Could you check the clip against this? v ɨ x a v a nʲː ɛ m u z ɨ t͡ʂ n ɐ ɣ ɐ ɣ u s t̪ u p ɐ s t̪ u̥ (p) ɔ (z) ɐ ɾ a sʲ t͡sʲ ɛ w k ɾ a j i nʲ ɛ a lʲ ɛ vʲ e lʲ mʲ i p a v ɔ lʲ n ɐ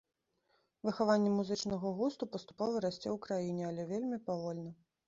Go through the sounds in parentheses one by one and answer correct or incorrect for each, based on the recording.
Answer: correct, incorrect: v

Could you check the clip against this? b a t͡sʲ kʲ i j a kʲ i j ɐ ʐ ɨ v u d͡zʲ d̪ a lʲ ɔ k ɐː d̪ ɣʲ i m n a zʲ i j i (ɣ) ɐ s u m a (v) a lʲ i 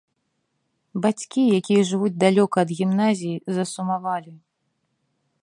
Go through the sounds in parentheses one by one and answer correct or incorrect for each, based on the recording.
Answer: incorrect: z, correct

